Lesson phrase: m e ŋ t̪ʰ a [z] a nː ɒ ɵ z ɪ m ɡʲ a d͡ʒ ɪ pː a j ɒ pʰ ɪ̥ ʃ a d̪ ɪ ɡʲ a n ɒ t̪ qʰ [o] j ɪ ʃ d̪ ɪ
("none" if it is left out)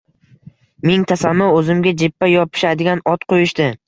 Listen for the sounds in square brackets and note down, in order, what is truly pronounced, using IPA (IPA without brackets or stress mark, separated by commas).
s, o